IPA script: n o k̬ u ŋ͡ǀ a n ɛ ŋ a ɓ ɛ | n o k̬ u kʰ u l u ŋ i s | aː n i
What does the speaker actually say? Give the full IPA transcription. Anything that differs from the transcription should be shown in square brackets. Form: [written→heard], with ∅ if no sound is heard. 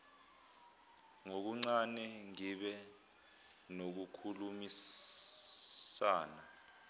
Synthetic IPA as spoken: [n→ŋ] o k̬ u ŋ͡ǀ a n ɛ ŋ [a→i] ɓ ɛ | n o k̬ u kʰ u l u [ŋ→m] i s | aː n [i→a]